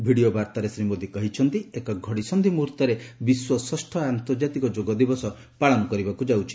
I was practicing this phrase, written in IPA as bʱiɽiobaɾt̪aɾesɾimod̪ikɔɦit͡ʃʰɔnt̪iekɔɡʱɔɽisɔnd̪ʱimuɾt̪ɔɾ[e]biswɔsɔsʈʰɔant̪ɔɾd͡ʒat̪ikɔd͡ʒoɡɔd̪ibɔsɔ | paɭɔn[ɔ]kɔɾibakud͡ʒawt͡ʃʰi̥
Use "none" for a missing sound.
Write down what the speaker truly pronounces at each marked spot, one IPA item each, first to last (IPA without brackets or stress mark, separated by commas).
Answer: e, ɔ